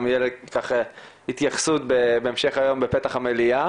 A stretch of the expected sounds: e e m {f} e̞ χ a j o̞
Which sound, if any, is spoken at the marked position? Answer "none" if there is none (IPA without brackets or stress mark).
ʃ